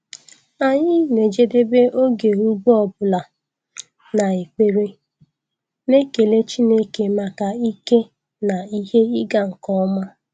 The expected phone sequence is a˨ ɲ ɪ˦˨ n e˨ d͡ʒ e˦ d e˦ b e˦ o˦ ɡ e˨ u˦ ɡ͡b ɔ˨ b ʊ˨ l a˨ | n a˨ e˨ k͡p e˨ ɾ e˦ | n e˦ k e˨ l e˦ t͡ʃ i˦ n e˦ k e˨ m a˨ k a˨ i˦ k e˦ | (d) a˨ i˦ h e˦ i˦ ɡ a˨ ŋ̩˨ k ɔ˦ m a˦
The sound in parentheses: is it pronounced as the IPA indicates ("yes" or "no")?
no